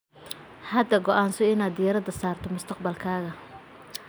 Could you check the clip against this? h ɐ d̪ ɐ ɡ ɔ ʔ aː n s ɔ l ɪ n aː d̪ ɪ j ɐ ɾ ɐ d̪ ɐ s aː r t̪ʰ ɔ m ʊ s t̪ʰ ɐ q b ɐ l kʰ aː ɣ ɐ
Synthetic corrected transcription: h ɐ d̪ ɐ ɡ ɔ ʔ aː n s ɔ ɪ n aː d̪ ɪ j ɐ ɾ ɐ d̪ ɐ s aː r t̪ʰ ɔ m ʊ s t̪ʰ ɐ q b ɐ l kʰ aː ɣ ɐ